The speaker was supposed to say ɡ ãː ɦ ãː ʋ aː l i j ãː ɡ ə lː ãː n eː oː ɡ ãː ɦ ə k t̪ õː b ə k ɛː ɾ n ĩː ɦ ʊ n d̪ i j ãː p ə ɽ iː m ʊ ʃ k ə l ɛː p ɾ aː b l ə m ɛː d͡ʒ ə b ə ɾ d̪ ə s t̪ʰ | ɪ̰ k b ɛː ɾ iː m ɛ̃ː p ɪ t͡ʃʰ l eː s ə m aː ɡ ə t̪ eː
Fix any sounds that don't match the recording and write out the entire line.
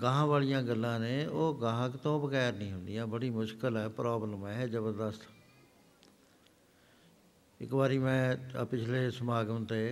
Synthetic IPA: ɡ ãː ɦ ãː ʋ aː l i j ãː ɡ ə lː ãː n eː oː ɡ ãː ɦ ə k t̪ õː b ə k ɛː ɾ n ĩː ɦ ʊ n d̪ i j ãː b ə ɽ iː m ʊ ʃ k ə l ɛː p ɾ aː b l ə m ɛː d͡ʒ ə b ə ɾ d̪ ə s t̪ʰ | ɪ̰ k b aː ɾ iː m ɛ̃ː p ɪ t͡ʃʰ l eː s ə m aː ɡ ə t̪ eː